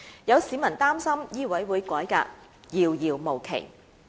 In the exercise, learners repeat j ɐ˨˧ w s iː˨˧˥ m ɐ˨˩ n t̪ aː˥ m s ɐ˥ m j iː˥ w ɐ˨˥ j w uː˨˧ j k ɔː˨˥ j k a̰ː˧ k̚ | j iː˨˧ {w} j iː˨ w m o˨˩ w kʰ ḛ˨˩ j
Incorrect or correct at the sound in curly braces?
correct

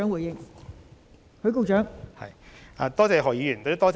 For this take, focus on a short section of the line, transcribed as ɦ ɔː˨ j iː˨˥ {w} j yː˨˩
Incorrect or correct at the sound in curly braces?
incorrect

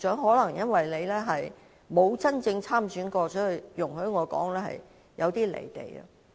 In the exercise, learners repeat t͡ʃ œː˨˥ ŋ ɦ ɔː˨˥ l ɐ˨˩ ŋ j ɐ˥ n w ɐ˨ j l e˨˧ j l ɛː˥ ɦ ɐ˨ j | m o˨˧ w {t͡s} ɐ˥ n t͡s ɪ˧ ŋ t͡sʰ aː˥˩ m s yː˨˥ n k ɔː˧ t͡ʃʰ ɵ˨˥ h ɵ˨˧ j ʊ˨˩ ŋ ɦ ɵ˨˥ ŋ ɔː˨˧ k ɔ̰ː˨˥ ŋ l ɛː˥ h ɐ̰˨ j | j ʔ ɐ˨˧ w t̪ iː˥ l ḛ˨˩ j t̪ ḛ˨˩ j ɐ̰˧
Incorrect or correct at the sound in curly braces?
correct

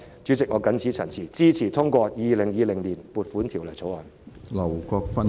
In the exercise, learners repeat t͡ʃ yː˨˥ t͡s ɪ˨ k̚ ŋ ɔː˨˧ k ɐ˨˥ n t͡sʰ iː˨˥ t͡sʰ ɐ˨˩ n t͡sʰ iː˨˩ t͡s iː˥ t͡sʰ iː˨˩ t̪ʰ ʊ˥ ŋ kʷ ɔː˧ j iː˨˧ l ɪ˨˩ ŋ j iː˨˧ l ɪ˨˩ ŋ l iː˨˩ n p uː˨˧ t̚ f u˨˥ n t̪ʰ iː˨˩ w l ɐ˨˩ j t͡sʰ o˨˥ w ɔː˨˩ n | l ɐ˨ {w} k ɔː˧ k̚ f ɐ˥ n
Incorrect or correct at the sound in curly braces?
correct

